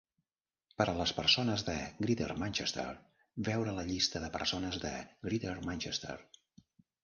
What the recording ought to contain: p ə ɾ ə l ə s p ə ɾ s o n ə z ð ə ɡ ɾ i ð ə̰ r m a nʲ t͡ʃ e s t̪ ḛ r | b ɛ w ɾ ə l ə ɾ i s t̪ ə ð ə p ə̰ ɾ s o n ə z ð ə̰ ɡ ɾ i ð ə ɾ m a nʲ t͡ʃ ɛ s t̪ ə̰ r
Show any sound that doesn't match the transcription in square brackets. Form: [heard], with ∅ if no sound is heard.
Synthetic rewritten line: p ə ɾ ə l ə s p ə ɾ s o n ə z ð ə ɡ ɾ i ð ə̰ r m a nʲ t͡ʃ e s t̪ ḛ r | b ɛ w ɾ ə l ə [ʎ] i s t̪ ə ð ə p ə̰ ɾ s o n ə z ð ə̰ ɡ ɾ i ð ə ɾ m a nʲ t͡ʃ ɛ s t̪ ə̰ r